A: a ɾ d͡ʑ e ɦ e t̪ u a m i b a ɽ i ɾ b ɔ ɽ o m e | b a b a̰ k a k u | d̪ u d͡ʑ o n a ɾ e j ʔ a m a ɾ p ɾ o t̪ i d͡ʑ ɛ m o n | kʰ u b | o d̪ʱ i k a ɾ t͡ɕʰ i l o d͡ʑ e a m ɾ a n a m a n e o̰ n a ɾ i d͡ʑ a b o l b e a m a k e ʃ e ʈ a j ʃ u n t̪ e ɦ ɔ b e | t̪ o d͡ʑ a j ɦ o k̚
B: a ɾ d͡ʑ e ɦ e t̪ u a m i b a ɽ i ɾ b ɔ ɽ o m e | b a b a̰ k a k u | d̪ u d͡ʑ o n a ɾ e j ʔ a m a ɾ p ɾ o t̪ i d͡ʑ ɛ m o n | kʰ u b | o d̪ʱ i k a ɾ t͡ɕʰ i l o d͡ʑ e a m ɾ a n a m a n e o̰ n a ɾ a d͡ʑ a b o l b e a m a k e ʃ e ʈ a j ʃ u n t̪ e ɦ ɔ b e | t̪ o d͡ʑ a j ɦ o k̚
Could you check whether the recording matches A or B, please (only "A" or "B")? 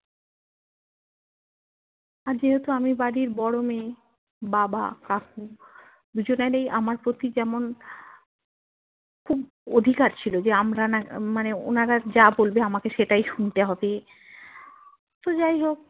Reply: B